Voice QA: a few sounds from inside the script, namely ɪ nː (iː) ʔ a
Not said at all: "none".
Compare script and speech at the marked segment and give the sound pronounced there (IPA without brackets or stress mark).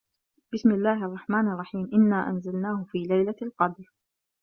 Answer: aː